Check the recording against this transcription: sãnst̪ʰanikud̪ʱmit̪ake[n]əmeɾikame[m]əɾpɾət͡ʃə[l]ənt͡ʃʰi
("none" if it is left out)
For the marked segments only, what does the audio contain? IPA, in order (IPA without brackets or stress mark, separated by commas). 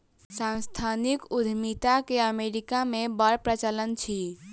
none, b, l